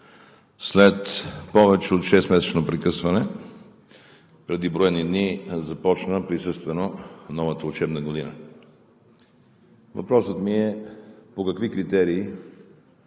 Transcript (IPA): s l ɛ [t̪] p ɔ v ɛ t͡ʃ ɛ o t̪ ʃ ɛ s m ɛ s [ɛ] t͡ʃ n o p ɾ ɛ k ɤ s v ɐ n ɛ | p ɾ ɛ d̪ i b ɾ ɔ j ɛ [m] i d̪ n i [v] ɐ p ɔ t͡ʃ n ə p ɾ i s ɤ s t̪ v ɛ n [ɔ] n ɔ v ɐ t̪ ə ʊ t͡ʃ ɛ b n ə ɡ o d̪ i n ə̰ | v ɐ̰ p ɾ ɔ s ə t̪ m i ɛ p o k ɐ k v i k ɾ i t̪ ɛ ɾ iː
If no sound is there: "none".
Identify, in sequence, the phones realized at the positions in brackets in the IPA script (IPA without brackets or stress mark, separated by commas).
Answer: t̪, ɛ, n, z, o